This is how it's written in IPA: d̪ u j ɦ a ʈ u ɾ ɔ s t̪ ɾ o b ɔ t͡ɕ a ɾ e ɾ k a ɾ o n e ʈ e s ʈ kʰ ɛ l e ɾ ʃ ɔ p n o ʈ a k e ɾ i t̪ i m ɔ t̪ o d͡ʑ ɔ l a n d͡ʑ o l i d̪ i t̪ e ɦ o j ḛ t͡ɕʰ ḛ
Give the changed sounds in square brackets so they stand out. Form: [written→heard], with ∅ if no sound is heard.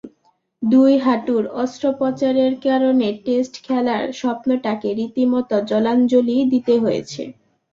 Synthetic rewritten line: d̪ u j ɦ a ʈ u ɾ ɔ s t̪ ɾ o [b→p] ɔ t͡ɕ a ɾ e ɾ k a ɾ o n e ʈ e s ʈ kʰ ɛ l [e→a] ɾ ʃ ɔ p n o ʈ a k e ɾ i t̪ i m ɔ t̪ o d͡ʑ ɔ l a n d͡ʑ o l i d̪ i t̪ e ɦ o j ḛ t͡ɕʰ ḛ